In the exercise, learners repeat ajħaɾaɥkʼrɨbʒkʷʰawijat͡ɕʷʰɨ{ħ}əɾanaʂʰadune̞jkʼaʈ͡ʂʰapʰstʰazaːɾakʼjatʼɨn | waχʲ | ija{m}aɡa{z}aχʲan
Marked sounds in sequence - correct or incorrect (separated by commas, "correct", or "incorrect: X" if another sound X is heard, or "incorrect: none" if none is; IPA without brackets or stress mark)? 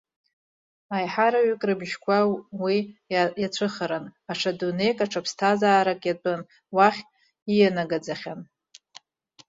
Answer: incorrect: χ, incorrect: n, incorrect: d͡z